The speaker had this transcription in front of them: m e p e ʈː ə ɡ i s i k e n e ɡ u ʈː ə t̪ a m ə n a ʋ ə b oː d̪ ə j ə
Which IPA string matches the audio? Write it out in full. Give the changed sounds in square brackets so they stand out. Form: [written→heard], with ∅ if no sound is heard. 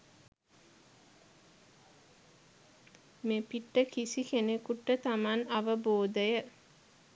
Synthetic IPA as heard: m e p [e→i] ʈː ə [ɡ→k] i s i k e n e [ɡ→k] u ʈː ə t̪ a m [ə→a] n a ʋ ə b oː d̪ ə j ə